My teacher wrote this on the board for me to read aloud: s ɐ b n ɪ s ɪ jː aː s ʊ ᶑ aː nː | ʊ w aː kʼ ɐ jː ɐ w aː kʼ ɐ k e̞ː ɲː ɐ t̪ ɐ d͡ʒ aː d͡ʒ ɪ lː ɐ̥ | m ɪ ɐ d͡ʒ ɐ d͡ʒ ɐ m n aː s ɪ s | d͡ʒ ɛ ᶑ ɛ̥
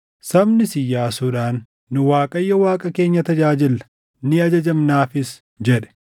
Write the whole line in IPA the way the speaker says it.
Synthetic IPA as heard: s ɐ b n ɪ s ɪ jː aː s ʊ ᶑ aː nː | ʊ w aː kʼ ɐ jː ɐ w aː kʼ ɐ k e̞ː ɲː ɐ t̪ ɐ d͡ʒ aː d͡ʒ ɪ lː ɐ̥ | n ɪ ɐ d͡ʒ ɐ d͡ʒ ɐ m n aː f ɪ s | d͡ʒ ɛ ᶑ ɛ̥

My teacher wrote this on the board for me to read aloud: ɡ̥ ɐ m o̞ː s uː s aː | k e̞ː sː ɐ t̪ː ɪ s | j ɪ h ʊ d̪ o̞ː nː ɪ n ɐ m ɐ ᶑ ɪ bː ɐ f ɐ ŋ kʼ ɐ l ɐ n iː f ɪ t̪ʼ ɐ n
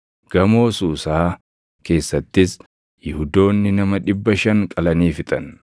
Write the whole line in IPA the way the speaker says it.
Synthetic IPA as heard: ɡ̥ ɐ m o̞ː s uː s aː | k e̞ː sː ɐ t̪ː ɪ s | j ɪ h ʊ d̪ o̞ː nː ɪ n ɐ m ɐ ᶑ ɪ bː ɐ ʃ ɐ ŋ kʼ ɐ l ɐ n iː f ɪ t̪ʼ ɐ n

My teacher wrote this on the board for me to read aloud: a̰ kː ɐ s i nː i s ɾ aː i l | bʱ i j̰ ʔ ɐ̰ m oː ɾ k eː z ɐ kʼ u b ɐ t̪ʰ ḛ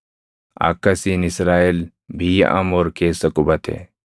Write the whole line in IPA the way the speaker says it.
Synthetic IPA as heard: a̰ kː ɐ s i n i s ɾ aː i l | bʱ i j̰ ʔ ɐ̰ m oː ɾ k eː s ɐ k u b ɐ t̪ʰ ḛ

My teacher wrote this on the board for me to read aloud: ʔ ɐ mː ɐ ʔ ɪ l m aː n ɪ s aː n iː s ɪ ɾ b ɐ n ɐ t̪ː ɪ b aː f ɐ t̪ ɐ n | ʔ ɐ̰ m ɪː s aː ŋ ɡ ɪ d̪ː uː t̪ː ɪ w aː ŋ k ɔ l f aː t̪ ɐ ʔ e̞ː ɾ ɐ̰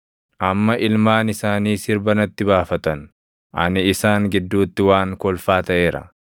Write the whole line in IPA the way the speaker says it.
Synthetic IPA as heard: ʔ ɐ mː ɐ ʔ ɪ l m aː n ɪ s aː n iː s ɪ ɾ b ɐ n ɐ t̪ː ɪ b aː f ɐ t̪ ɐ n | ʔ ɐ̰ n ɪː s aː ŋ ɡ ɪ d̪ː uː t̪ː ɪ w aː ŋ k ɔ l f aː t̪ ɐ ʔ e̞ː ɾ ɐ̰

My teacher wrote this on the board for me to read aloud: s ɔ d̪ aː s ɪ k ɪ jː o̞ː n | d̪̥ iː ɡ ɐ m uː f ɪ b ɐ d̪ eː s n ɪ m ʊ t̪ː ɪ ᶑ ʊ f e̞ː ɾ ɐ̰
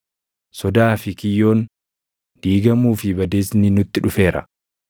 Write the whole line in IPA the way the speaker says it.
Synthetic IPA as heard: s ɔ d̪ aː f ɪ k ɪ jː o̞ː n | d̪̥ iː ɡ ɐ m uː f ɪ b ɐ d̪ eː s n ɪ n ʊ t̪ː ɪ ᶑ ʊ f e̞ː ɾ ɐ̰

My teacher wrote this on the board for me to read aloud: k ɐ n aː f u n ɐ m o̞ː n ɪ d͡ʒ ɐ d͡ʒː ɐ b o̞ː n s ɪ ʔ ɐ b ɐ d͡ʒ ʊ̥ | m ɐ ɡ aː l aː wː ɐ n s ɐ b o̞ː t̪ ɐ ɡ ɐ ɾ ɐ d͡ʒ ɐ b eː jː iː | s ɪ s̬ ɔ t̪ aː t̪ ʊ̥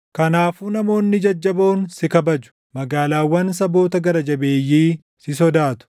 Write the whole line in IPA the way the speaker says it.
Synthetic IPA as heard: k ɐ n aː f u n ɐ m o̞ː nː ɪ d͡ʒ ɐ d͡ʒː ɐ b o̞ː n s ɪ k ɐ b ɐ d͡ʒ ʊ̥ | m ɐ ɡ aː l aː wː ɐ n s ɐ b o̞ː t̪ ɐ ɡ ɐ ɾ ɐ d͡ʒ ɐ b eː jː iː | s ɪ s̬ ɔ d̪ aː t̪ ʊ̥

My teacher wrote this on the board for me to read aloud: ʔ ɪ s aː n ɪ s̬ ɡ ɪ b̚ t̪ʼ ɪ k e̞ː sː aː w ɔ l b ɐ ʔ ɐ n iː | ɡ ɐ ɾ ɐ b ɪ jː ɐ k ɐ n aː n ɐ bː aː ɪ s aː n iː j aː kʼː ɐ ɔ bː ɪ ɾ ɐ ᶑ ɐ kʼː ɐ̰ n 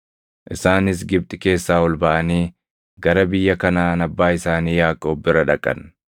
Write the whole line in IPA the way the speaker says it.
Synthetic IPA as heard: ʔ ɪ s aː n ɪ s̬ ɡ ɪ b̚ t̪ʼ ɪ k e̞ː sː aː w ɔ l b ɐ ʔ ɐ n iː | ɡ ɐ ɾ ɐ b ɪ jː ɐ k ɐ n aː n ɐ bː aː ɪ s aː n iː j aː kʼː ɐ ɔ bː ɪ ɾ ɐ ᶑ ɐ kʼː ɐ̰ n

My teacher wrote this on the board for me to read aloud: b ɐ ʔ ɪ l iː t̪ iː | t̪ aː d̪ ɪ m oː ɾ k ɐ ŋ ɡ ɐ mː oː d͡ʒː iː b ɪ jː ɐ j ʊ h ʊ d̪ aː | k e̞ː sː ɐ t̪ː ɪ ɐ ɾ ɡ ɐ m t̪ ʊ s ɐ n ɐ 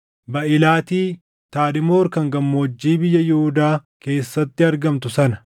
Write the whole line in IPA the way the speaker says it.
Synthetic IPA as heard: b ɐ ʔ ɪ l aː t̪ iː | t̪ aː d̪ ɪ m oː ɾ k ɐ ŋ ɡ ɐ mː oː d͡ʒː iː b ɪ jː ɐ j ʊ h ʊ d̪ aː | k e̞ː sː ɐ t̪ː ɪ ɐ ɾ ɡ ɐ m t̪ ʊ s ɐ n ɐ

